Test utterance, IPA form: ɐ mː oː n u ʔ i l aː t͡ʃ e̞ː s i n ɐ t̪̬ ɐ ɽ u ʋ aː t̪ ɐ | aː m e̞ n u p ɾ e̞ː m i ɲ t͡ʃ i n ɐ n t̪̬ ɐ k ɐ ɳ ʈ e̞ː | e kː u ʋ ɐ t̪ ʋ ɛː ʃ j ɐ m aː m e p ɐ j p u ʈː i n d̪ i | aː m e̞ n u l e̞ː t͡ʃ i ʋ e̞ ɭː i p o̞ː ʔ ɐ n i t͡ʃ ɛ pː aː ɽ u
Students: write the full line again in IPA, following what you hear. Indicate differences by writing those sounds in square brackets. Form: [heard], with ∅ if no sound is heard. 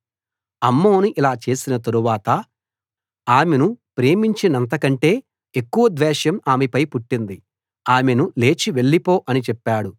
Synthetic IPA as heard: ɐ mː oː n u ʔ i l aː t͡ʃ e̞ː s i n ɐ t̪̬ ɐ [ɾ] u ʋ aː t̪ ɐ | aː m e̞ n u p ɾ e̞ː m i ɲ t͡ʃ i n ɐ n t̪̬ ɐ k ɐ ɳ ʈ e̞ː | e kː u ʋ ɐ [d̪] ʋ ɛː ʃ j ɐ m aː m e p ɐ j p u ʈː i n d̪ i | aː m e̞ n u l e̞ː t͡ʃ i ʋ e̞ ɭː i p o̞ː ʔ ɐ n i t͡ʃ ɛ pː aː ɽ u